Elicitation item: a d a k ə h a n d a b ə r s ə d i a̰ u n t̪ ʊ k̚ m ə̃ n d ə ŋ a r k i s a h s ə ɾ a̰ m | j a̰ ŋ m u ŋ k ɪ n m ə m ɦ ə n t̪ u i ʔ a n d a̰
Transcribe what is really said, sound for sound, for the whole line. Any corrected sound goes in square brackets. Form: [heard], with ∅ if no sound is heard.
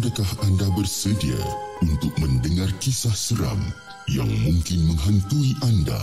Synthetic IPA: a d a k [a] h a n d a b ə r s ə d i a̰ u n t̪ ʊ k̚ m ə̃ n d ə ŋ a r k i s a h s ə ɾ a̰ m | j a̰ ŋ m u ŋ k ɪ n m ə [ŋ] ɦ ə n t̪ u i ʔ a n d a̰